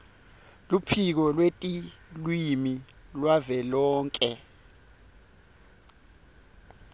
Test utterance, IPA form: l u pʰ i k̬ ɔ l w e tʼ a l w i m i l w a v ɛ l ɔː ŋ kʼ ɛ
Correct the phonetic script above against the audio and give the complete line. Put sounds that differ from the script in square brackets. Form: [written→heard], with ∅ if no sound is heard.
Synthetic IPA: l u pʰ i k̬ ɔ l w e tʼ [a→i] l w i m i l w a v ɛ l ɔː ŋ kʼ ɛ